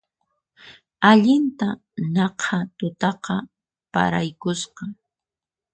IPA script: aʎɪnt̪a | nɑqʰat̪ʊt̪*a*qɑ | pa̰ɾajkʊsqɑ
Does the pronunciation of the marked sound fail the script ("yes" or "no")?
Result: yes